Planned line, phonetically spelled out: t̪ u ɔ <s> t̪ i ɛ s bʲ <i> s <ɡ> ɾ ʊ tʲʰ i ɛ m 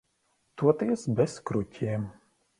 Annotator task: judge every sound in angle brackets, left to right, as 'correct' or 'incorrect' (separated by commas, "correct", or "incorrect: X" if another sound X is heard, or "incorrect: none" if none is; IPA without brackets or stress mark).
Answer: incorrect: none, incorrect: ɛ, incorrect: k